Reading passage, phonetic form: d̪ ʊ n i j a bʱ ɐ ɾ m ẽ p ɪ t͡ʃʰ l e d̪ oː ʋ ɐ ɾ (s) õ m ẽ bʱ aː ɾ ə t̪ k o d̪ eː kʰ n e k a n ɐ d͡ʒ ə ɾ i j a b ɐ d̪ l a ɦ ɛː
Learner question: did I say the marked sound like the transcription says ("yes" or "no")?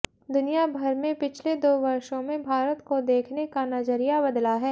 no